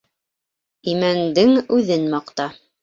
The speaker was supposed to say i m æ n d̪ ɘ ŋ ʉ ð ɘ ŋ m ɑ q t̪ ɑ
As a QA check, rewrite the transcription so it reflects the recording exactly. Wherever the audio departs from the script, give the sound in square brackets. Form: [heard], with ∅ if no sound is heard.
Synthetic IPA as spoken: i m æ n d̪ ɘ ŋ ʉ ð ɘ [n] m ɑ q t̪ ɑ

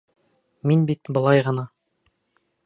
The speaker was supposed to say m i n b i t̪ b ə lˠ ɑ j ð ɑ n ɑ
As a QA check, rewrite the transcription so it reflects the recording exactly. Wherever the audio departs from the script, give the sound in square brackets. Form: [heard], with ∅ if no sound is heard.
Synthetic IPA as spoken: m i n b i t̪ b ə lˠ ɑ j [ʁ] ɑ n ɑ

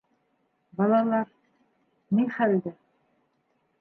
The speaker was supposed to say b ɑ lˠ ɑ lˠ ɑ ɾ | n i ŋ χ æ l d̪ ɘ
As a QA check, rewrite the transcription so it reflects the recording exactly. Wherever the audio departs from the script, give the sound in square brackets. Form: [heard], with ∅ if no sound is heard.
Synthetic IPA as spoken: b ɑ lˠ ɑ lˠ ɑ ɾ | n i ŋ χ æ l d̪ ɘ

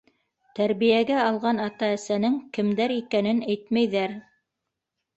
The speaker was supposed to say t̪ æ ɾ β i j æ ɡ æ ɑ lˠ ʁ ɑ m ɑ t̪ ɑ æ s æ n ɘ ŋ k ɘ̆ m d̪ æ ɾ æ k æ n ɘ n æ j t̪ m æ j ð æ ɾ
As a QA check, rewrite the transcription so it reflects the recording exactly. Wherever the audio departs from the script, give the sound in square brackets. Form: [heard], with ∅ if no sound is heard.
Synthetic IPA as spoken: t̪ æ ɾ β i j æ ɡ æ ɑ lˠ ʁ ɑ [n] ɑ t̪ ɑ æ s æ n ɘ ŋ k ɘ̆ m d̪ æ ɾ [i] k æ n ɘ n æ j t̪ m æ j ð æ ɾ

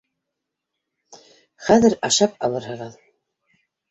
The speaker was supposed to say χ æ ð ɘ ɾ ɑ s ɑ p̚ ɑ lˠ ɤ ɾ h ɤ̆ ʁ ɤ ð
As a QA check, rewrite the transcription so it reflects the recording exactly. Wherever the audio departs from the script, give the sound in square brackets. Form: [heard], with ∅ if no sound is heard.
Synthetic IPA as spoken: χ æ ð ɘ ɾ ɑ [ʃ] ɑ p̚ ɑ lˠ ɤ ɾ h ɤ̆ ʁ ɤ ð

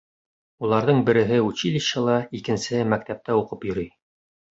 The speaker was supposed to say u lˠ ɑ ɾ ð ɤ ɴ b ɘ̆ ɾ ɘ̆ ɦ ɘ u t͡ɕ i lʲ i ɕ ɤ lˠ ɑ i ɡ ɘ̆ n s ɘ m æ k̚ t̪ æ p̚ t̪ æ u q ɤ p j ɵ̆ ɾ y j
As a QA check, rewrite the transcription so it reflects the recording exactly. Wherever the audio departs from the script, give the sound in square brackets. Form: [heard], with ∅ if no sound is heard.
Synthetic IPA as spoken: u lˠ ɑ ɾ ð ɤ ɴ b ɘ̆ ɾ ɘ̆ ɦ ɘ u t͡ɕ i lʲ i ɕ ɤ lˠ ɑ i [k] ɘ̆ n s ɘ m æ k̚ t̪ æ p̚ t̪ æ u q ɤ p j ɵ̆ ɾ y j

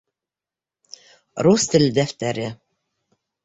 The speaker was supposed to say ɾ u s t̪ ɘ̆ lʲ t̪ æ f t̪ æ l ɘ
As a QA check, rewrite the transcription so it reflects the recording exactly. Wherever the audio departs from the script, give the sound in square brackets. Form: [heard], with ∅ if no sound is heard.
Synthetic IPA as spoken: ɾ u s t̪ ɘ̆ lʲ [d̪] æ f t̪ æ [ɾ] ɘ

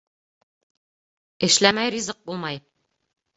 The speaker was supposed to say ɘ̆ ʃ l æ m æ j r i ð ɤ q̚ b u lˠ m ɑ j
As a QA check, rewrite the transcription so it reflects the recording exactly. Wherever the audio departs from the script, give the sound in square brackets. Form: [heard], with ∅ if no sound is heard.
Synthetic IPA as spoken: ɘ̆ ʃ l æ m æ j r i [z] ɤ q̚ b u lˠ m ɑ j

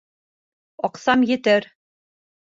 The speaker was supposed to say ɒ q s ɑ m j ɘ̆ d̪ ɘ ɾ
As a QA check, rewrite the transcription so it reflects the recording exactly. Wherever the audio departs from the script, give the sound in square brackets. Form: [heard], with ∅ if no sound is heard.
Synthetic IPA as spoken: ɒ q s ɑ m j ɘ̆ [t̪] ɘ ɾ

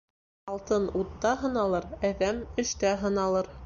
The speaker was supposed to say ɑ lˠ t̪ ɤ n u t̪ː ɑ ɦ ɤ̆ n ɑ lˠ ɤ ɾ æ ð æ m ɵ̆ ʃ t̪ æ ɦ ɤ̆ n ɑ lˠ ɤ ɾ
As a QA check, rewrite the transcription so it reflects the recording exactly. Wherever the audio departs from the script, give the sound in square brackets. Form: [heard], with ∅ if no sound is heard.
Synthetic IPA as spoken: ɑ lˠ t̪ ɤ n u t̪ː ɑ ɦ ɤ̆ n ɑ lˠ ɤ ɾ æ ð æ m ɵ̆ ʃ t̪ æ ɦ ɤ̆ n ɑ lˠ ɤ ɾ

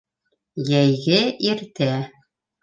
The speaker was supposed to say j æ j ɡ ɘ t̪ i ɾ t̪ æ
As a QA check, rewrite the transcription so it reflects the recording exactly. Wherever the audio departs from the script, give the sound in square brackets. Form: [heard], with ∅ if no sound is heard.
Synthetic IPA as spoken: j æ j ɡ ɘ [∅] i ɾ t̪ æ

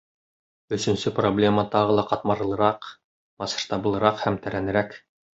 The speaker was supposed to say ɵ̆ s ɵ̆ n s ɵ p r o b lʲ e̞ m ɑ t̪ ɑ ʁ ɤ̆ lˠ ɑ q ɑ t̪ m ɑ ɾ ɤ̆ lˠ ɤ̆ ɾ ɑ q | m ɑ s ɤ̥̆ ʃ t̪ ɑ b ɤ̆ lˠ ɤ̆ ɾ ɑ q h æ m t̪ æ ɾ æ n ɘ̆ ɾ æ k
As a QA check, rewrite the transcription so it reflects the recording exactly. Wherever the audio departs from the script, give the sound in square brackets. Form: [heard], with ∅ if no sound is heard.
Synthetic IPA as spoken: ɵ̆ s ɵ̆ n s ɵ p r o b lʲ e̞ m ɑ t̪ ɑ ʁ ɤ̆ lˠ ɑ q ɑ t̪ m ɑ ɾ ɤ̆ lˠ ɤ̆ ɾ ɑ q | m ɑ s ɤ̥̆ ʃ t̪ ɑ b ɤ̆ lˠ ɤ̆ ɾ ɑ q h æ m t̪ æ ɾ æ n ɘ̆ ɾ æ k

